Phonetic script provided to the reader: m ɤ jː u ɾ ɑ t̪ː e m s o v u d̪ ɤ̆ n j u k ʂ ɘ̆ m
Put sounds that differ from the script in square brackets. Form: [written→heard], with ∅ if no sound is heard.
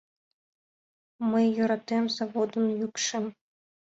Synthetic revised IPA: m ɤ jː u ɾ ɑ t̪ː e m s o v [u→o] d̪ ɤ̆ n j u k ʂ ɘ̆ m